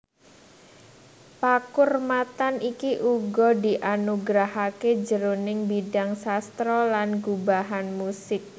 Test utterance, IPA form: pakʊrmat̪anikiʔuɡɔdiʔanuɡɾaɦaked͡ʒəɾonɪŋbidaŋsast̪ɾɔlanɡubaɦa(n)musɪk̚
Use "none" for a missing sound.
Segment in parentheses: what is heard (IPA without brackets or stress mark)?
n